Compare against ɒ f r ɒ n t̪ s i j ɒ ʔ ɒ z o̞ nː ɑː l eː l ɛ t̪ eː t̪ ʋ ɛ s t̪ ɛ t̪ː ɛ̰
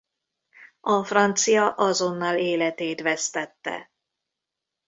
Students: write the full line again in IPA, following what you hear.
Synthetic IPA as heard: ɒ f r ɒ n t̪ s i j ɒ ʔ ɒ z o̞ nː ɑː l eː l ɛ t̪ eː t̪ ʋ ɛ s t̪ ɛ t̪ː ɛ̰